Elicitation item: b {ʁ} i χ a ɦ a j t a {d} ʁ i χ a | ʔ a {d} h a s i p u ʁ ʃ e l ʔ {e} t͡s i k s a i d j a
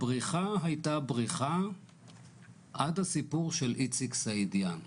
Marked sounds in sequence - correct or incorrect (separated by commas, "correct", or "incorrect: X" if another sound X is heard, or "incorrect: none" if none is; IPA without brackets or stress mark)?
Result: correct, incorrect: b, correct, incorrect: i